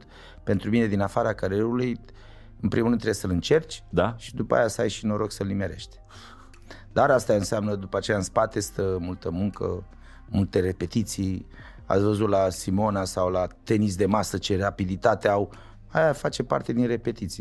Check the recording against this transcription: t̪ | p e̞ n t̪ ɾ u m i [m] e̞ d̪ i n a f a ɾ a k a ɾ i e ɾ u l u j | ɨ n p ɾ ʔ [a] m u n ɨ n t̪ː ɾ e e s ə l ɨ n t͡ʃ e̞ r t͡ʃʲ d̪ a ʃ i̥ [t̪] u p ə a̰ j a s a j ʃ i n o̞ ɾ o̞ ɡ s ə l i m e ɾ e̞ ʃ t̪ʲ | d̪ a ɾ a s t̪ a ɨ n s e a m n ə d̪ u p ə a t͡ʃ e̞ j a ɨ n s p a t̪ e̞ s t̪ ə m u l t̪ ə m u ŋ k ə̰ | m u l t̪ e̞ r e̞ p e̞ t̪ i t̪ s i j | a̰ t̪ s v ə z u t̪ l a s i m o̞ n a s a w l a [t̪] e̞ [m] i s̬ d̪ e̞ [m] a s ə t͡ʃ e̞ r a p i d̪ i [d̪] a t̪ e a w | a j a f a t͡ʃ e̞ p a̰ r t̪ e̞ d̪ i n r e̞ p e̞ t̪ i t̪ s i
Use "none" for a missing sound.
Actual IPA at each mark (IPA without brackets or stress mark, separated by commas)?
n, i, d̪, t̪, n, m, t̪